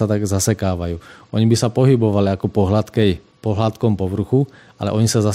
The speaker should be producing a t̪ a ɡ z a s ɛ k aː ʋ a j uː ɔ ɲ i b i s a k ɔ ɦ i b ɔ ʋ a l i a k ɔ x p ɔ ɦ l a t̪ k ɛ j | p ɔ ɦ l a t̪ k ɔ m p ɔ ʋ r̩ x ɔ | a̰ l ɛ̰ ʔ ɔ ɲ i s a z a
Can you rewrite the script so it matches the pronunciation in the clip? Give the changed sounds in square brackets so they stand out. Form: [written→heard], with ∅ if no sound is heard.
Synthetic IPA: a t̪ a ɡ z a s ɛ k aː ʋ a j uː ɔ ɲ i b i s a [k→p] ɔ ɦ i b ɔ ʋ a l i a k ɔ [x→∅] p ɔ ɦ l a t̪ k ɛ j | p ɔ ɦ l a t̪ k ɔ m p ɔ ʋ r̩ x [ɔ→u] | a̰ l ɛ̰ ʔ ɔ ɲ i s a z a